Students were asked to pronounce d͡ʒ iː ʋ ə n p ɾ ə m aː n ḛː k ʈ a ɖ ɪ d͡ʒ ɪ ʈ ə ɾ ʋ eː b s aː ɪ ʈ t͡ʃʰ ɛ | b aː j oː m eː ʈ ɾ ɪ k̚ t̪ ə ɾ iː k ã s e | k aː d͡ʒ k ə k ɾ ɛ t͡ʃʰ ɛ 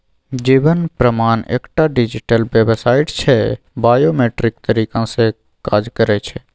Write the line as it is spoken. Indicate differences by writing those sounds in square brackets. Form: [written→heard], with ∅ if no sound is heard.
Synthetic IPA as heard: d͡ʒ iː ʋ ə n p ɾ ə m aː n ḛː k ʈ a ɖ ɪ d͡ʒ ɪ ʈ ə [ɾ→l] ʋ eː b s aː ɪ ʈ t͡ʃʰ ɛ | b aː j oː m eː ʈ ɾ ɪ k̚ t̪ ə ɾ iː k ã s e | k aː d͡ʒ k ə [k→∅] ɾ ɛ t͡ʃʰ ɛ